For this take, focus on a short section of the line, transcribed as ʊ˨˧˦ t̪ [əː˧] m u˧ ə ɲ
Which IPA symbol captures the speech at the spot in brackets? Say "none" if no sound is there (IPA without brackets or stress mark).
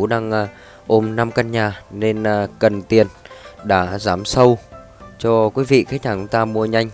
aː˧